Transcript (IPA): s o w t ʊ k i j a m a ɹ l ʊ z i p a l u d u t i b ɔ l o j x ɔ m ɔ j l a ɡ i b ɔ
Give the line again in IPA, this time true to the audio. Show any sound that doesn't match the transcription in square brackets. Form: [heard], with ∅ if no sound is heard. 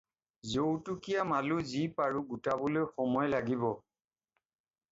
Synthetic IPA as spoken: [z] o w t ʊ k i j a m a [∅] l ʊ z i p a [ɹ] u [ɡ] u t [a] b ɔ l o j x ɔ m ɔ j l a ɡ i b ɔ